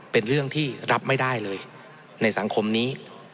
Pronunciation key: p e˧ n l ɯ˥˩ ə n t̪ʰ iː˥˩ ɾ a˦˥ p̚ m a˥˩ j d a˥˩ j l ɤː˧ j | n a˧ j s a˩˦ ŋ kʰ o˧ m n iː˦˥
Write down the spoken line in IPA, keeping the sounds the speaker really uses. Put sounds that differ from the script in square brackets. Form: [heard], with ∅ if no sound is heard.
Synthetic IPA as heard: p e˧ n [ɾ] ɯ˥˩ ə [ŋ] t̪ʰ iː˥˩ ɾ a˦˥ p̚ m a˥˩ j d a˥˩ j l ɤː˧ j | n a˧ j s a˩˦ ŋ kʰ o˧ m n iː˦˥